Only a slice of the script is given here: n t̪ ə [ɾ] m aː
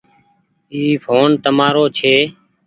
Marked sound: incorrect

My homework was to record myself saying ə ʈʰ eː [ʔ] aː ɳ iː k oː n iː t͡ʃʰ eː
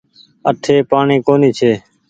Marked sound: incorrect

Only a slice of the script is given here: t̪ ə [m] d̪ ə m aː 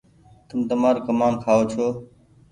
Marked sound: correct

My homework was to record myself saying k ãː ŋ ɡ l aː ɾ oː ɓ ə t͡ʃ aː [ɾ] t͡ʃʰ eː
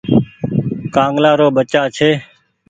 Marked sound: incorrect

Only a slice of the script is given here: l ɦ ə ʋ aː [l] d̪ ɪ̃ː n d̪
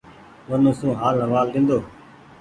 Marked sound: correct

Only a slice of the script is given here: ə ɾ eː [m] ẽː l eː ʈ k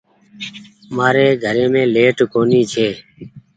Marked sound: correct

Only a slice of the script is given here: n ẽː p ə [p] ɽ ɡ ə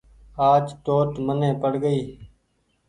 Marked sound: incorrect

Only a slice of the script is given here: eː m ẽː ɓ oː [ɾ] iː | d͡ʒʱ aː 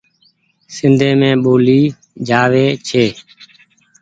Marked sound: incorrect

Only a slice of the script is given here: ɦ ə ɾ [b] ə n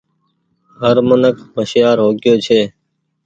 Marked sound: incorrect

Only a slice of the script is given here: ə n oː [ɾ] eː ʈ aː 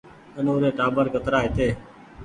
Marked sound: correct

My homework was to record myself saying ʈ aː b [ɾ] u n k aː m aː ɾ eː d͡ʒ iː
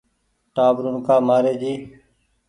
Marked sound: correct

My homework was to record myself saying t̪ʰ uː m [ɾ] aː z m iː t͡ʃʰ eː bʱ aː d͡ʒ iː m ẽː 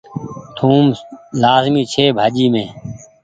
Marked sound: incorrect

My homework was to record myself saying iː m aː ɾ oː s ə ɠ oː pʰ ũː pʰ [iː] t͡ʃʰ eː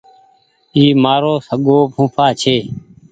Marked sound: incorrect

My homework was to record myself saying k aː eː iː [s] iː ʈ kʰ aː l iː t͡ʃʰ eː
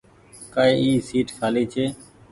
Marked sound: correct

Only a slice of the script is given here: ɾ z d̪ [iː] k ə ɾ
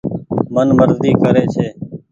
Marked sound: correct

